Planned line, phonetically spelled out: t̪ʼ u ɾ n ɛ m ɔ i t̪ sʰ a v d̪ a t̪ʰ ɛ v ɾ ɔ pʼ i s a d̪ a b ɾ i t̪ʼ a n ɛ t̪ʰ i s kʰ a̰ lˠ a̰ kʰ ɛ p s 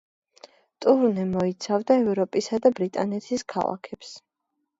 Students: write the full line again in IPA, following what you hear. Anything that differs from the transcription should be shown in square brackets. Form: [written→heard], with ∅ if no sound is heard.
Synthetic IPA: t̪ʼ u ɾ n ɛ m ɔ i t̪ sʰ a v d̪ a [t̪ʰ→∅] ɛ v ɾ ɔ pʼ i s a d̪ a b ɾ i t̪ʼ a n ɛ t̪ʰ i s kʰ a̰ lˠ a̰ kʰ ɛ p s